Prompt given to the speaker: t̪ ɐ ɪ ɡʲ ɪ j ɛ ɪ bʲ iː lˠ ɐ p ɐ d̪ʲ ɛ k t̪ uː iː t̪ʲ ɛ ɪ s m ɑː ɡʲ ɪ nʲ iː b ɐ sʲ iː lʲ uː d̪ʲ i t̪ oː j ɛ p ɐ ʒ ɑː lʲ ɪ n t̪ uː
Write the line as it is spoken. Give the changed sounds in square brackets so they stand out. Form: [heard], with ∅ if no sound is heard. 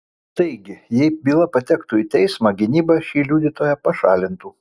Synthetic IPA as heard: t̪ ɐ ɪ ɡʲ ɪ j ɛ ɪ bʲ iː lˠ ɐ p ɐ [t̪ʲ] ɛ k t̪ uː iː t̪ʲ ɛ ɪ s m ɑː ɡʲ ɪ nʲ iː b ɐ [ʃʲ] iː lʲ uː d̪ʲ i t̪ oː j ɛ p ɐ [ʃ] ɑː lʲ ɪ n t̪ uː